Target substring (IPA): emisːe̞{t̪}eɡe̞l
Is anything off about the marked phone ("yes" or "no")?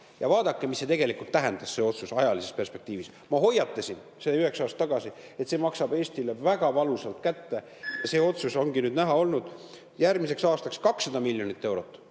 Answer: no